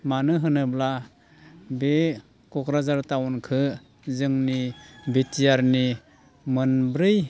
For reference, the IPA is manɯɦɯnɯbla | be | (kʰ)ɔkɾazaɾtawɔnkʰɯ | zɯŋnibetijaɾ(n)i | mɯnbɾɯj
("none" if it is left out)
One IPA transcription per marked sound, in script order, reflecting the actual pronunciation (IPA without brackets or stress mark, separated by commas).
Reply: k, n